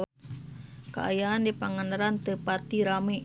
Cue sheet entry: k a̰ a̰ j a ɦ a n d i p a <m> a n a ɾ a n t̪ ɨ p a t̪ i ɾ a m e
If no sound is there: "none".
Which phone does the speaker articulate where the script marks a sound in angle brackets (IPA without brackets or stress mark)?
ŋ